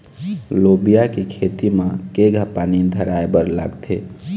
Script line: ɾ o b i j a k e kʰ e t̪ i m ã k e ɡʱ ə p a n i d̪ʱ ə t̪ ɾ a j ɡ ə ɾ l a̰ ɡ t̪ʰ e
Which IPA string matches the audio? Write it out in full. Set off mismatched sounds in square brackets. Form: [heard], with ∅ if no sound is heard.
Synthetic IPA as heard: [l] o b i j a k e kʰ e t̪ i m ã k e ɡʱ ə p a n i d̪ʱ ə [∅] ɾ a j [b] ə ɾ l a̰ ɡ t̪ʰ e